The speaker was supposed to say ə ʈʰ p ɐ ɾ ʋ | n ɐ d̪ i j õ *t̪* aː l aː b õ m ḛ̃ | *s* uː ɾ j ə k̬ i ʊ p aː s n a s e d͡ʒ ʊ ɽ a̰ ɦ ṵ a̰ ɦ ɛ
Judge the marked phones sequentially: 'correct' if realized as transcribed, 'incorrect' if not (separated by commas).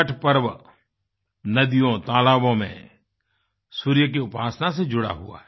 correct, correct